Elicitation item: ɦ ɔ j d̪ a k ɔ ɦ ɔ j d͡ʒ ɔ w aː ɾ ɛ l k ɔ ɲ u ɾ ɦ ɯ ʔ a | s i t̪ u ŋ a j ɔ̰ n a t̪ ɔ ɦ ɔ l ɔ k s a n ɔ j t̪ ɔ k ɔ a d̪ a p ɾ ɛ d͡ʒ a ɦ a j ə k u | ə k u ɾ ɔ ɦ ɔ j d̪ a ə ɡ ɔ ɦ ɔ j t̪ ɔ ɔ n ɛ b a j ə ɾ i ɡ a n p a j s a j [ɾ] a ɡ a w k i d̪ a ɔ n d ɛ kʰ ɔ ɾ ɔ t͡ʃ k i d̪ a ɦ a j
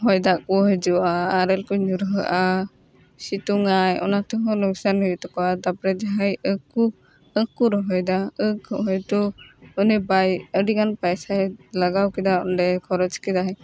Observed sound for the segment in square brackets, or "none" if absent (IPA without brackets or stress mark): l